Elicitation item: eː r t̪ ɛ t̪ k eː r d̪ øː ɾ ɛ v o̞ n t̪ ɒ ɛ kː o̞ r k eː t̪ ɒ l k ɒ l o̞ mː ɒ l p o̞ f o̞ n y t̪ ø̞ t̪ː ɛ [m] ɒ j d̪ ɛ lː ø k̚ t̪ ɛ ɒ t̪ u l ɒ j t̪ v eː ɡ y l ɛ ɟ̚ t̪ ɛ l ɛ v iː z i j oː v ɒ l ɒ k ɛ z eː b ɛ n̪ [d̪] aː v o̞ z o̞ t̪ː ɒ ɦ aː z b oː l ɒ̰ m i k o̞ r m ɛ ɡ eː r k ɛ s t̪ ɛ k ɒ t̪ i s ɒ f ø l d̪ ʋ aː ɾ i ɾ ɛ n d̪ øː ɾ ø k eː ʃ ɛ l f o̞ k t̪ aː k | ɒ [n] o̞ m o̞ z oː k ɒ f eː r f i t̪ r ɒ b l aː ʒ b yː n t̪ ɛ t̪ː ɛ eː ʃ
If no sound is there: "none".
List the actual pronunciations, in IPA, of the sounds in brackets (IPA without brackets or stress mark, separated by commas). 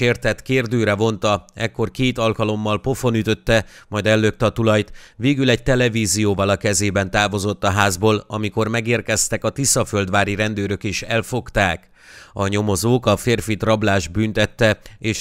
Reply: m, t̪, ɲ